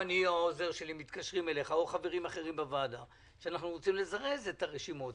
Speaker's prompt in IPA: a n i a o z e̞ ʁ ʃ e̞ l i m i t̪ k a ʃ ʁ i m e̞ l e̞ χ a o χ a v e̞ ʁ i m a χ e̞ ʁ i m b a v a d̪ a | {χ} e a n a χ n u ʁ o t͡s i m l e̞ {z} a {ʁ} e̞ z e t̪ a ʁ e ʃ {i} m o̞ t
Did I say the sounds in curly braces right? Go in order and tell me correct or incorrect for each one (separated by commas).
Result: incorrect, correct, correct, correct